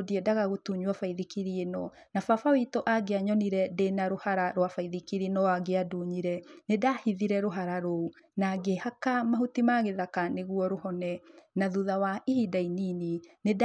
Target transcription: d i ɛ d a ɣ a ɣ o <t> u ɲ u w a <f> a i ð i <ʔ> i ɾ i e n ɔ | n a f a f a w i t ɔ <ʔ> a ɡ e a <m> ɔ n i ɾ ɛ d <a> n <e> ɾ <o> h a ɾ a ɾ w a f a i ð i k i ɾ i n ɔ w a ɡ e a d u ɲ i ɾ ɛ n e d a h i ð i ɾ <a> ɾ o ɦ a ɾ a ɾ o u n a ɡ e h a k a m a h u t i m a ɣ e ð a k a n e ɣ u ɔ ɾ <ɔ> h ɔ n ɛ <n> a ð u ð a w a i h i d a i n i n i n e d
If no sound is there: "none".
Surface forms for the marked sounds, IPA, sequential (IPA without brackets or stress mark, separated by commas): t, f, k, ʔ, ɲ, e, a, o, ɛ, o, n